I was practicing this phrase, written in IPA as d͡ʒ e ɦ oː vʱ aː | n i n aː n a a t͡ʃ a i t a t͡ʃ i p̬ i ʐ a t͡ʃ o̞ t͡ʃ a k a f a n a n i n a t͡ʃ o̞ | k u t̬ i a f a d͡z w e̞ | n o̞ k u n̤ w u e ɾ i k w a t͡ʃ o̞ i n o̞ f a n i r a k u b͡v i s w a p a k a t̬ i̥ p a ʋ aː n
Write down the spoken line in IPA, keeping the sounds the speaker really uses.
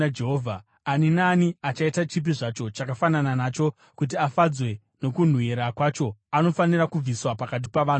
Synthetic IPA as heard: d͡ʒ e ɦ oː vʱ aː | n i n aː n i a t͡ʃ a i t a t͡ʃ i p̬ i ʐ a t͡ʃ o̞ t͡ʃ a k a f a n a n a n a t͡ʃ o̞ | k u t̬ i a f a d͡z w e̞ | n o̞ k u n̤ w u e ɾ a k w a t͡ʃ o̞ a n o̞ f a n i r a k u b͡v i s w a p a k a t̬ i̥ p a ʋ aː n